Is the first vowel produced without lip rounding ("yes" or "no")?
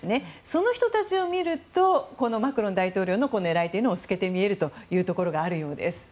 yes